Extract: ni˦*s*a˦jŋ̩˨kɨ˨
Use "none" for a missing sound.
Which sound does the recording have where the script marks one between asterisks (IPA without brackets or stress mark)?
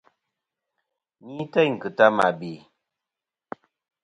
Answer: t